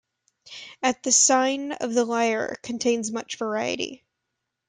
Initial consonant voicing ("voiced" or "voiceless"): voiceless